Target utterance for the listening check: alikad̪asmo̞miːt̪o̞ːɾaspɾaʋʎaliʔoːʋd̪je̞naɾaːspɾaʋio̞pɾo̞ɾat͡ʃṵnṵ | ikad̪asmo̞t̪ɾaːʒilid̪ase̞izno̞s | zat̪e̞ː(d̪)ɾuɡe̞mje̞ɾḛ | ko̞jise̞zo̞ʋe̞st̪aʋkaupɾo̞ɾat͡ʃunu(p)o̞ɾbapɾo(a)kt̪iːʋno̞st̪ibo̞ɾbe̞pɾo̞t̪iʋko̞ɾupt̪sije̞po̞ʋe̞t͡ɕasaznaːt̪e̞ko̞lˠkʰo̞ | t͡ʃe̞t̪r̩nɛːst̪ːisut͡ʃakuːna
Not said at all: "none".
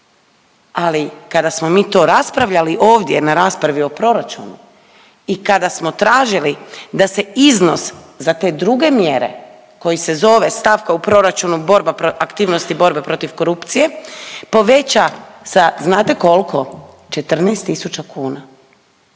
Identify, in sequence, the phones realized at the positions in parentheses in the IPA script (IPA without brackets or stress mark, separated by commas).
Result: d̪, b, a